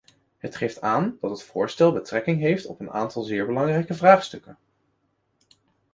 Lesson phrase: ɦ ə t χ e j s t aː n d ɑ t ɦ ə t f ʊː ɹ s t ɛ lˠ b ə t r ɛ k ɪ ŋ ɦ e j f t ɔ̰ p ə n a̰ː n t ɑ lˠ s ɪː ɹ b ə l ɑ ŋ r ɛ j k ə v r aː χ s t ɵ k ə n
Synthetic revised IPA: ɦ ə t χ e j f t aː n d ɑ t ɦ ə t f ʊː ɹ s t ɛ lˠ b ə t r ɛ k ɪ ŋ ɦ e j f t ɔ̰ p ə n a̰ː n t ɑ lˠ z ɪː ɹ b ə l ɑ ŋ r ɛ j k ə v r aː χ s t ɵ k ə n